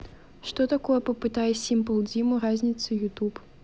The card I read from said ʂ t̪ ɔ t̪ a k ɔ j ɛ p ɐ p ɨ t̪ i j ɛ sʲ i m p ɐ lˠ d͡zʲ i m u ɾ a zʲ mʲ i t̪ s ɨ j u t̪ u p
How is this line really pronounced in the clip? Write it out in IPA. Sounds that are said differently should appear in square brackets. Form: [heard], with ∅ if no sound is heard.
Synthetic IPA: ʂ t̪ ɔ t̪ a k ɔ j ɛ p ɐ p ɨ t̪ [a] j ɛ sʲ i m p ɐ lˠ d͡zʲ i m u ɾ a zʲ [nʲ] i t̪ s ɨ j u t̪ u p